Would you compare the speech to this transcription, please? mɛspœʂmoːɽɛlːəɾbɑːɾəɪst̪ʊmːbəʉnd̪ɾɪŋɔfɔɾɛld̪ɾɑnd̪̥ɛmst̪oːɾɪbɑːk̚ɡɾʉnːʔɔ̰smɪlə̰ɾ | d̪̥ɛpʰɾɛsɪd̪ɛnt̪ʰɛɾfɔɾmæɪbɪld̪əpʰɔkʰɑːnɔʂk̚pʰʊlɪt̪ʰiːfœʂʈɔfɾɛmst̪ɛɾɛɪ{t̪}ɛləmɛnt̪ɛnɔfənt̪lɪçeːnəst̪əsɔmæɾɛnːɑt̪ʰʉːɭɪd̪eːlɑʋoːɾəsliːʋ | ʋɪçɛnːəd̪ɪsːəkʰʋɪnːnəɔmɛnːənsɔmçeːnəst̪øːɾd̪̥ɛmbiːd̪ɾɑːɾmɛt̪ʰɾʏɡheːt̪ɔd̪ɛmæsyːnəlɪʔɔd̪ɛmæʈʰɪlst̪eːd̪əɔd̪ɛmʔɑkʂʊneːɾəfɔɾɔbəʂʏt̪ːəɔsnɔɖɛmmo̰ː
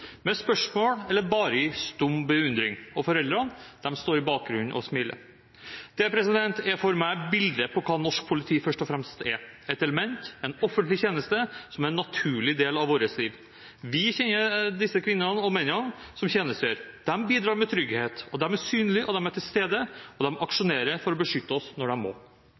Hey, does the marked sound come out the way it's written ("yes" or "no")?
yes